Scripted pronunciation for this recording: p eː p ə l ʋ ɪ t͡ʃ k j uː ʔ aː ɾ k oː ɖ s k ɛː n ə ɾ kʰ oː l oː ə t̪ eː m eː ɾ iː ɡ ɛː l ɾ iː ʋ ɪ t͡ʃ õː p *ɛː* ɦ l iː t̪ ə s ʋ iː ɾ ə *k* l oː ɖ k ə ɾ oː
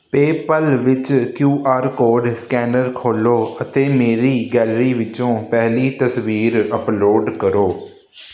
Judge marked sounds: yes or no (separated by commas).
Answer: no, no